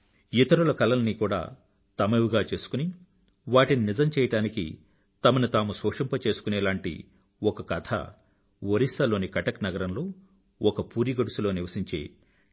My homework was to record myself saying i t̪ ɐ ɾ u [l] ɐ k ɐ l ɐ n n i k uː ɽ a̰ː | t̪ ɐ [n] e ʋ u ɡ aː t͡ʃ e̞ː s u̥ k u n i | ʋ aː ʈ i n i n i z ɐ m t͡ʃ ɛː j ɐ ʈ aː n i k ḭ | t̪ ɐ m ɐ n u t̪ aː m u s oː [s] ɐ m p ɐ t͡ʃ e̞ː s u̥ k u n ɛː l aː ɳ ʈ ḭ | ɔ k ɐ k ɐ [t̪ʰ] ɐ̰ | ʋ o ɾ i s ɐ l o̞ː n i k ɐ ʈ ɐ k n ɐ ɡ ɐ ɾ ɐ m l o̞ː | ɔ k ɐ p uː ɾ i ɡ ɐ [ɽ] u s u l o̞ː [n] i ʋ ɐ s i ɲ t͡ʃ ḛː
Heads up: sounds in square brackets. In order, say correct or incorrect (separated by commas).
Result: correct, incorrect, incorrect, correct, correct, correct